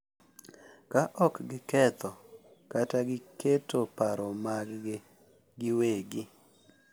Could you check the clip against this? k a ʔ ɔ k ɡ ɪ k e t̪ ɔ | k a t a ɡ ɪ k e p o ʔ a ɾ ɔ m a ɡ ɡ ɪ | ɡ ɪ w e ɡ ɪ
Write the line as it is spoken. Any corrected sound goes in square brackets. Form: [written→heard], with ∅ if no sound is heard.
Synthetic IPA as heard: k a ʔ ɔ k ɡ ɪ k [e→ɛ] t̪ ɔ | k a t a ɡ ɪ k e [p→t] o [ʔ→p] a ɾ ɔ m a ɡ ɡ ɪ | ɡ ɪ w e ɡ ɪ